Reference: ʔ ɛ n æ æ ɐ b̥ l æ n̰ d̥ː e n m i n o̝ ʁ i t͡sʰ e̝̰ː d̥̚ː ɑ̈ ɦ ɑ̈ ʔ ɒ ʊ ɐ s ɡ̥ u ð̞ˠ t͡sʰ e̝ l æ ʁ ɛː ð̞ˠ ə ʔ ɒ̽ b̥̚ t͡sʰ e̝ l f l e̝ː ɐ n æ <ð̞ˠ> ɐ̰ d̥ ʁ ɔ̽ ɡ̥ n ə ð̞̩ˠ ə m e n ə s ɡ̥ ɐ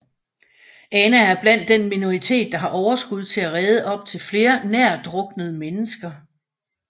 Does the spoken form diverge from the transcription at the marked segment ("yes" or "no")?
yes